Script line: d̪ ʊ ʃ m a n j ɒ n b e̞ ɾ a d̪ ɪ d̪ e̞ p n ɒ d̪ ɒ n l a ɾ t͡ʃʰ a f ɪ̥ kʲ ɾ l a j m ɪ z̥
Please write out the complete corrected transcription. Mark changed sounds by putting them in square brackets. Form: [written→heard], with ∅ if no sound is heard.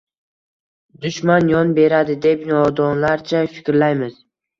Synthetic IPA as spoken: d̪ ʊ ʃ m a n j ɒ n b e̞ ɾ a d̪ ɪ d̪ e̞ p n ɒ d̪ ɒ n l a ɾ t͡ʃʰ a f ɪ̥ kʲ ɾ l a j m ɪ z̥

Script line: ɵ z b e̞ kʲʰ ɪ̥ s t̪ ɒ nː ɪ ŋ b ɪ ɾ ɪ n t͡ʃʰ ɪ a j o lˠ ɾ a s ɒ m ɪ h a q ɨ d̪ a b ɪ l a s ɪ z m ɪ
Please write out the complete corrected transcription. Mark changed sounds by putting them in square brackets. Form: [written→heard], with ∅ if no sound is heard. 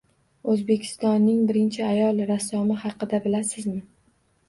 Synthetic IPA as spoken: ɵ z b e̞ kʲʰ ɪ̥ s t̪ ɒ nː ɪ ŋ b ɪ ɾ ɪ n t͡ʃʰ ɪ a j [o→ɒ] lˠ ɾ a s ɒ m ɪ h [a→ɑ] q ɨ d̪ a b ɪ l a s ɪ z m ɪ

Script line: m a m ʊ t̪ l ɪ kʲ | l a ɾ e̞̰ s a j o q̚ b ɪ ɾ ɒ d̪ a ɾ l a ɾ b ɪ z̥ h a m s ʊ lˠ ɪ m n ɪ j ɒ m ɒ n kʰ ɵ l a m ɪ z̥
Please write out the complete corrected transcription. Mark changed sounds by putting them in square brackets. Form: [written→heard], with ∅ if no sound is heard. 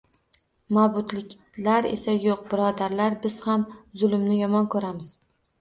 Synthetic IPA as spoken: m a [m→b] ʊ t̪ l ɪ kʲ | l a ɾ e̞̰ s a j o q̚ b ɪ ɾ ɒ d̪ a ɾ l a ɾ b ɪ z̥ h a m [s→z] ʊ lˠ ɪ m n ɪ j ɒ m ɒ n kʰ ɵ [l→ɾ] a m ɪ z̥

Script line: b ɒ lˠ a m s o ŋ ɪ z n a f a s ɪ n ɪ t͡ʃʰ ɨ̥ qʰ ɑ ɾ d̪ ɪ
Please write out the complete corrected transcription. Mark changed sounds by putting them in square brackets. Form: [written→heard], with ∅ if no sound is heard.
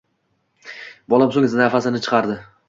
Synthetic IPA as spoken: b ɒ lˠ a m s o ŋ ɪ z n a f a s ɪ n ɪ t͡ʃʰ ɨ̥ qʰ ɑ ɾ d̪ ɪ

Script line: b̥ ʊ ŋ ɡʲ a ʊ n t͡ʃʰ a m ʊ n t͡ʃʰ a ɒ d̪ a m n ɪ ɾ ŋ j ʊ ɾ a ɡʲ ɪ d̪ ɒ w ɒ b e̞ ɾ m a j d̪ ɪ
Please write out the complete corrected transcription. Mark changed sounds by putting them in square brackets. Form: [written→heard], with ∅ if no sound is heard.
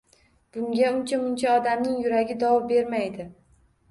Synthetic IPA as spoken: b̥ ʊ ŋ ɡʲ a ʊ n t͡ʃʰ a m ʊ n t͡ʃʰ a ɒ d̪ a m n ɪ [ɾ→∅] ŋ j ʊ ɾ a ɡʲ ɪ d̪ ɒ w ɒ b e̞ ɾ m a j d̪ ɪ

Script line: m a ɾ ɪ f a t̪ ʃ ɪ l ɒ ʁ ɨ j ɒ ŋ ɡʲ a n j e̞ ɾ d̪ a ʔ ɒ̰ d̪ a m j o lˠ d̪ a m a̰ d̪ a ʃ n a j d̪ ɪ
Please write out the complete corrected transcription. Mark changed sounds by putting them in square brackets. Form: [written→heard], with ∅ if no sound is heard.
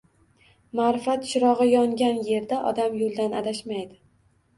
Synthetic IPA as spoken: m a ɾ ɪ f a t̪ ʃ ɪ [l→ɾ] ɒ ʁ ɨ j ɒ ŋ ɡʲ a n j e̞ ɾ d̪ a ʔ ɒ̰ d̪ a m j o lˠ d̪ a [m→n] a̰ d̪ a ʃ [n→m] a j d̪ ɪ

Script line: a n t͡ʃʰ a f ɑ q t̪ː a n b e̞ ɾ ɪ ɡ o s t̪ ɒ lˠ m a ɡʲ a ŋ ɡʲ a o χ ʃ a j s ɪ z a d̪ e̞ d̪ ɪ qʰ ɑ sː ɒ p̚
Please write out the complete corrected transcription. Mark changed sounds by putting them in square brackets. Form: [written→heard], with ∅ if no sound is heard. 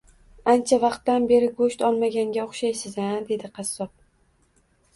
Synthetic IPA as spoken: a n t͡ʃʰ a [f→v] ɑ q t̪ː a n b e̞ ɾ ɪ ɡ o [s→ʃ] t̪ ɒ lˠ m a ɡʲ a ŋ ɡʲ a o χ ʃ a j s ɪ z a d̪ e̞ d̪ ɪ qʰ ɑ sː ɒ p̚

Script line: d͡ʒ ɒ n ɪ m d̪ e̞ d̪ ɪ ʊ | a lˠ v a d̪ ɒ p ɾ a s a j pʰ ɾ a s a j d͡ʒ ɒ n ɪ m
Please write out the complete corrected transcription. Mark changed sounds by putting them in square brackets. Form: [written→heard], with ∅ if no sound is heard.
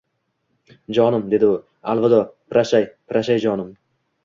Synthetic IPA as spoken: d͡ʒ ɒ n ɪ m d̪ e̞ d̪ ɪ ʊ | a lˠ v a d̪ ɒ p ɾ a [s→ʃ] a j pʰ ɾ a [s→ʃ] a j d͡ʒ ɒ n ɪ m

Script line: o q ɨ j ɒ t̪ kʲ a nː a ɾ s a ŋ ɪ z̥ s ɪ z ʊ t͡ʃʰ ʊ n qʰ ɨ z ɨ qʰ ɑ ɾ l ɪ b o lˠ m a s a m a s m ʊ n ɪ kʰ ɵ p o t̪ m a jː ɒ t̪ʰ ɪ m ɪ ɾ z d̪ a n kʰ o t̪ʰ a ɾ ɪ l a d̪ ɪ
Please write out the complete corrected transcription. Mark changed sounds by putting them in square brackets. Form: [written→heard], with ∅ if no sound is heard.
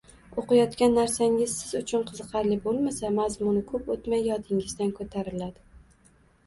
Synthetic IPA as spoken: o q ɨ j ɒ t̪ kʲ a nː a ɾ s a ŋ ɪ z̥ s ɪ z ʊ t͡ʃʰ ʊ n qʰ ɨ z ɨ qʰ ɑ ɾ l ɪ b o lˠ m a s a m a [s→z] m ʊ n ɪ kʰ ɵ p o t̪ m a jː ɒ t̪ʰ ɪ [m→ŋ] ɪ [ɾ→∅] z d̪ a n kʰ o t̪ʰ a ɾ ɪ l a d̪ ɪ

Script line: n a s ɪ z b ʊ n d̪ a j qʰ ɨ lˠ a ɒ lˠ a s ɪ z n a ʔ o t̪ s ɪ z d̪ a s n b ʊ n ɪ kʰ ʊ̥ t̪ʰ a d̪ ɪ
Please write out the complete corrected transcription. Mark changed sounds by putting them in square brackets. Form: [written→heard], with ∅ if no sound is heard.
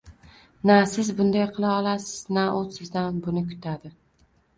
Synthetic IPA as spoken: n a s ɪ z b ʊ n d̪ a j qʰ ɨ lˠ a ɒ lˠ a s ɪ z n a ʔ o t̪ s ɪ z d̪ a [s→∅] n b ʊ n ɪ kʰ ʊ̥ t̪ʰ a d̪ ɪ

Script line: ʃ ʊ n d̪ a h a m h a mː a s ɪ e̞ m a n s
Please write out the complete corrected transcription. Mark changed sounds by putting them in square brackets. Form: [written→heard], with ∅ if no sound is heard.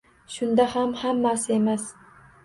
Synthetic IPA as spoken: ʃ ʊ n d̪ a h a m h a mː a s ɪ e̞ m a [n→∅] s

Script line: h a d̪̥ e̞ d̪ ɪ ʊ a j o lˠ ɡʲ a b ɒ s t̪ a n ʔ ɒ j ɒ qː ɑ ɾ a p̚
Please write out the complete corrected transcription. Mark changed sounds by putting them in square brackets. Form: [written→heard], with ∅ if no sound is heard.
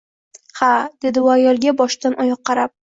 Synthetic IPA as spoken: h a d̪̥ e̞ d̪ ɪ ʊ a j [o→ɒ] lˠ ɡʲ a b ɒ [s→ʃ] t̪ a n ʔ ɒ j ɒ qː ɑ ɾ a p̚

